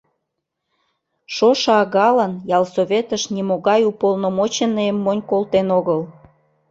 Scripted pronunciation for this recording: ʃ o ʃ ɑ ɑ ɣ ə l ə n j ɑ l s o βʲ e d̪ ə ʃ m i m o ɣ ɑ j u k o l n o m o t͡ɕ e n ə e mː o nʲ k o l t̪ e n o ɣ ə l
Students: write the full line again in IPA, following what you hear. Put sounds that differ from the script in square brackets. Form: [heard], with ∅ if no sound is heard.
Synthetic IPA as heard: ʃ o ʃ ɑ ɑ ɣ [ɑ] l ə n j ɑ l s o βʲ e [t̪] ə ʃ [n] i m o ɣ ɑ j u [p] o l n o m o t͡ɕ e n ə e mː o nʲ k o l t̪ e n o ɣ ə l